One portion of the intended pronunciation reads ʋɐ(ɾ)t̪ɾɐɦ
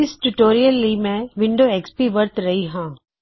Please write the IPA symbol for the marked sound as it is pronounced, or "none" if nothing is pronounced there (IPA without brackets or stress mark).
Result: ɾ